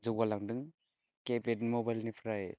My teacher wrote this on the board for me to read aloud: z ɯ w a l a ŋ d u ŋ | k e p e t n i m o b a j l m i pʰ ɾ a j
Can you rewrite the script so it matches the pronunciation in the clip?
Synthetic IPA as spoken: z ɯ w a l a ŋ d ɯ ŋ | k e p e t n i m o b a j l n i pʰ ɾ a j